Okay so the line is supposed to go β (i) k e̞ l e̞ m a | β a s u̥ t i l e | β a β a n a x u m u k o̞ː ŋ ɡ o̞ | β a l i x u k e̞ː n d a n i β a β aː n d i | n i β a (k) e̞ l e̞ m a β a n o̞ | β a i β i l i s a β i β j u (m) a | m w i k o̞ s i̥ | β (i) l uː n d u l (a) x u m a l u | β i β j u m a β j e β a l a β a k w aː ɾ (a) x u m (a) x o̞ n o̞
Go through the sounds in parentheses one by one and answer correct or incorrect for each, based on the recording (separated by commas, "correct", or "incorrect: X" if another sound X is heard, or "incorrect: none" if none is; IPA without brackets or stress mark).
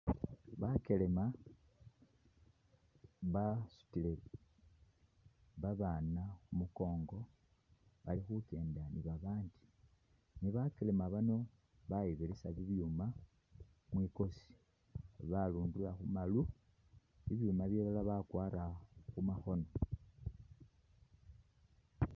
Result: incorrect: a, correct, correct, incorrect: a, correct, correct, correct